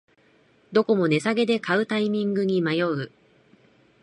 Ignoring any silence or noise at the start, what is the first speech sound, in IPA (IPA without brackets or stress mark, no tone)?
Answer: d̪